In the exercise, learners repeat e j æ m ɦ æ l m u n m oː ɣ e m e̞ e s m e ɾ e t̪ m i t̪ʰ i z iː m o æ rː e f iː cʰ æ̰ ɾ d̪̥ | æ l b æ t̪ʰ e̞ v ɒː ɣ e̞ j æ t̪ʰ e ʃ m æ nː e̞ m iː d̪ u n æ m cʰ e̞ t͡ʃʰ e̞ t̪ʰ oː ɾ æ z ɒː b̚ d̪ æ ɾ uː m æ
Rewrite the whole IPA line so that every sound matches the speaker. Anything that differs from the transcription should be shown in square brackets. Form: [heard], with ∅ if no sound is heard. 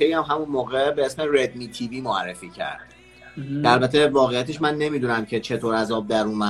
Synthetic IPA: e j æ m ɦ æ [∅] m u n m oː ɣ e [b] e̞ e s m e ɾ e [d̪] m i t̪ʰ i [v] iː m o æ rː e f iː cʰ æ̰ ɾ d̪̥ | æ l b æ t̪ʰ e̞ v ɒː ɣ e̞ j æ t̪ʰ e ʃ m æ nː e̞ m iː d̪ u n æ m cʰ e̞ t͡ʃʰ e̞ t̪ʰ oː ɾ æ z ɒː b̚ d̪ æ ɾ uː m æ